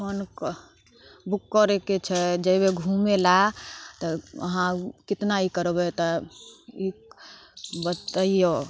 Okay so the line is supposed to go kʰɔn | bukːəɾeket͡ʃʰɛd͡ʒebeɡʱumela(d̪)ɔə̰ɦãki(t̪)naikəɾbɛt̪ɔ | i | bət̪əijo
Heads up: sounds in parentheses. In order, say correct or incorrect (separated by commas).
incorrect, correct